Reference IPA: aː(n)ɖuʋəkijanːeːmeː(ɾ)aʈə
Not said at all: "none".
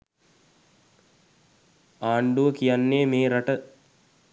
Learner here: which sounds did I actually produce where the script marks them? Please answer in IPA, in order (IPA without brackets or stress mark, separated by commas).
ɳ, ɾ